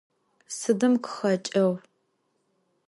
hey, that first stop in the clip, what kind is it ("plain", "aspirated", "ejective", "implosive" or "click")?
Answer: plain